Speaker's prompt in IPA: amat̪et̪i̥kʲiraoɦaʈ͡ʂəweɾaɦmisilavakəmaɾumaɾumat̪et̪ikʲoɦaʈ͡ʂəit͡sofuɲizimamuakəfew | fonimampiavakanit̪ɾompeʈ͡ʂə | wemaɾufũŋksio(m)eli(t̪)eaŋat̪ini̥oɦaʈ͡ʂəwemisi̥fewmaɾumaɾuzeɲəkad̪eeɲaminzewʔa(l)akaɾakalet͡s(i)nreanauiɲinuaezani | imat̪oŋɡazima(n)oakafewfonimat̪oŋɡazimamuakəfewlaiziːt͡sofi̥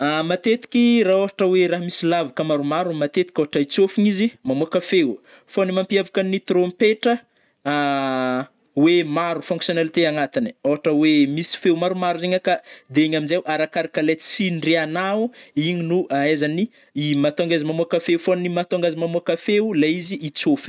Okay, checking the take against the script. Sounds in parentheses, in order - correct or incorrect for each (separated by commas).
incorrect, correct, incorrect, correct, incorrect